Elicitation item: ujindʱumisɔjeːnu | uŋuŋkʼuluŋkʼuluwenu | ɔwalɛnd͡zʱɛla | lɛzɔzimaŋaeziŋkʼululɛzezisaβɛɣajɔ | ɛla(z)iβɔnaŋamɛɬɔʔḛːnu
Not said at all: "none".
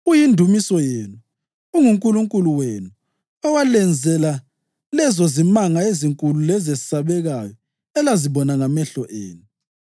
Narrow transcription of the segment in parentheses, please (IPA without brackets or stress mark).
z